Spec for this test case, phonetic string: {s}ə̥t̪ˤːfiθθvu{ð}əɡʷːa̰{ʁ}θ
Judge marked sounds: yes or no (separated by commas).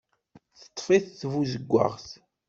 no, no, yes